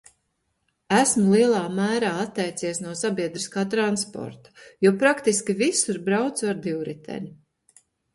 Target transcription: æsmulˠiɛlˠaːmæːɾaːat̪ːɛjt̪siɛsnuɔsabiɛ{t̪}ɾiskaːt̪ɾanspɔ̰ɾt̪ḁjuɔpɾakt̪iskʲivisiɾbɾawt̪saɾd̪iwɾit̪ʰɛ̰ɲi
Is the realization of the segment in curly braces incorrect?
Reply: yes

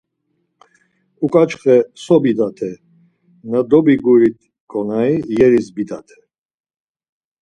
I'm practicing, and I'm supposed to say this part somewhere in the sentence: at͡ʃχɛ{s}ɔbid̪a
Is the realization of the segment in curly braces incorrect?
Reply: no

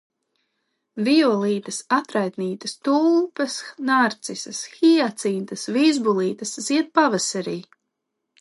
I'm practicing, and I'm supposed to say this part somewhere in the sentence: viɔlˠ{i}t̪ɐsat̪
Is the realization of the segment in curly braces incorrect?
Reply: yes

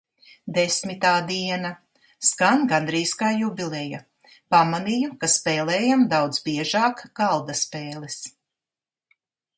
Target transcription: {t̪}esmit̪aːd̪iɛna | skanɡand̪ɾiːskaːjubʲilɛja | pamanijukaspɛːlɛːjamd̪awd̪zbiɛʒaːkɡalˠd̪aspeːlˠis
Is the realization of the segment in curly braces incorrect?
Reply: yes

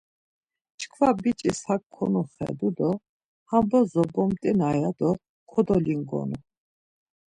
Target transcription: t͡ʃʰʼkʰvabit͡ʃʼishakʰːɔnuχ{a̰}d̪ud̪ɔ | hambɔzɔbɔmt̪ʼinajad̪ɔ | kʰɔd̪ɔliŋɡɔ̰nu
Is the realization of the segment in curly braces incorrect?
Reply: yes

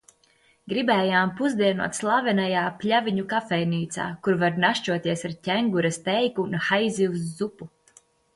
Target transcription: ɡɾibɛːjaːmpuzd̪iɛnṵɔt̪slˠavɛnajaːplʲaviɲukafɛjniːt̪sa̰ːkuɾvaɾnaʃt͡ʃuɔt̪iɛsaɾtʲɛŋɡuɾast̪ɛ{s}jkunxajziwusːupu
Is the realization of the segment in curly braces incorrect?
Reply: yes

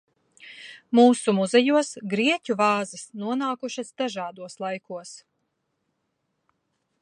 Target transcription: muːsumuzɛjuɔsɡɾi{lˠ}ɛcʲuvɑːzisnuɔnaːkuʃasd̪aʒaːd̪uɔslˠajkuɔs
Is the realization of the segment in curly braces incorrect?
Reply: yes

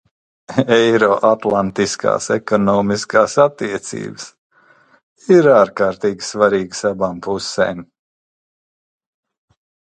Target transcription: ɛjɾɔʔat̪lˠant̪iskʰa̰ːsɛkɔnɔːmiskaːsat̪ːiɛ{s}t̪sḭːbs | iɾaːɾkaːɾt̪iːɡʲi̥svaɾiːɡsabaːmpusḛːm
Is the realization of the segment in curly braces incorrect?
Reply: yes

